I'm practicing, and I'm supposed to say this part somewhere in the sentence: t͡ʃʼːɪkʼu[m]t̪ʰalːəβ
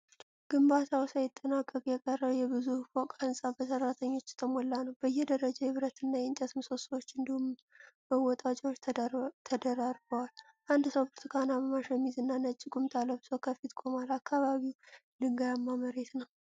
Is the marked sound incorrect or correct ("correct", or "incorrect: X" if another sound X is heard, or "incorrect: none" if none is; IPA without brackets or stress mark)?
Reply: correct